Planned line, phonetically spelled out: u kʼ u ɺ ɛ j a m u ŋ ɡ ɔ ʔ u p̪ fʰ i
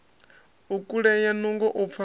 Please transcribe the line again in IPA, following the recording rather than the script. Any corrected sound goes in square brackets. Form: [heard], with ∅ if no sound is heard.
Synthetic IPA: u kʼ u ɺ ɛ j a [n] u ŋ ɡ ɔ ʔ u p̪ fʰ [a]